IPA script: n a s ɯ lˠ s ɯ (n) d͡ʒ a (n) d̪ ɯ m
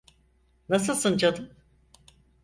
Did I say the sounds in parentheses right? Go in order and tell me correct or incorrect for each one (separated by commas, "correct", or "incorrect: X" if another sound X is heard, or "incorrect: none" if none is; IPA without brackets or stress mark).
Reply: correct, incorrect: none